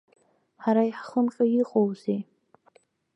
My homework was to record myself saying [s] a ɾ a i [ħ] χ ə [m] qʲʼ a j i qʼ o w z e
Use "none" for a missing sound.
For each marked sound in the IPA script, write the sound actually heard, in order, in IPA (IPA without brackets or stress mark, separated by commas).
ħ, ħ, m